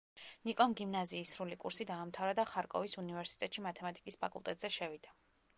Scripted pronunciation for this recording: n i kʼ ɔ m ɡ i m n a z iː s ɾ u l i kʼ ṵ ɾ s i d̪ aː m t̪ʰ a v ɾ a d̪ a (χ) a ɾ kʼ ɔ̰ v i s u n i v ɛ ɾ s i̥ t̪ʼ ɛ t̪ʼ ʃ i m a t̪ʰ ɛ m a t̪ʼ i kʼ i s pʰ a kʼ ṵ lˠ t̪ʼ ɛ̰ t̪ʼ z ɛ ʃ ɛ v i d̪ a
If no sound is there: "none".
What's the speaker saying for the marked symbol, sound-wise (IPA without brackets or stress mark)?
χ